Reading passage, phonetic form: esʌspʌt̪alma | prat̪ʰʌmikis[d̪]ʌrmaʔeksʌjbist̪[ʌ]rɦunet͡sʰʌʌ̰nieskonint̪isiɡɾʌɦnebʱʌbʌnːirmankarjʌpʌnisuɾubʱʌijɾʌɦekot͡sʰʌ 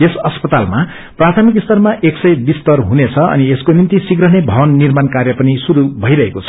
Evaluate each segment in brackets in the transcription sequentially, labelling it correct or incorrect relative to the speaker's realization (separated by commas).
incorrect, correct